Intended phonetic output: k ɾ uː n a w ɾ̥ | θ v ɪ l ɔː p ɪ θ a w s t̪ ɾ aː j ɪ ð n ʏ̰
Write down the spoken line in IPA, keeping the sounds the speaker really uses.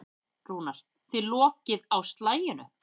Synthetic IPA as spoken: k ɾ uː n a ɾ̥ | θ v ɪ l ɔː c ɪ ð a w s t̪ l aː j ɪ n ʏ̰